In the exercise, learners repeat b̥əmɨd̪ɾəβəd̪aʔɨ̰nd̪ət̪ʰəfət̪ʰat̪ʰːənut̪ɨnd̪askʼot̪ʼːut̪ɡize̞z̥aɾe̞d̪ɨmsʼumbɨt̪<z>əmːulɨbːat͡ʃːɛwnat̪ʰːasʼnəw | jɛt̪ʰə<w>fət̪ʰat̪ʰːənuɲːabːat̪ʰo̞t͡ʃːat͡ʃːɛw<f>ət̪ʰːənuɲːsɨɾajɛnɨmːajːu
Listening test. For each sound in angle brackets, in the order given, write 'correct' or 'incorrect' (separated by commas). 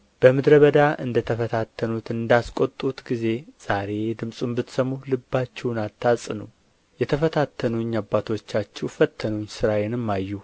incorrect, incorrect, correct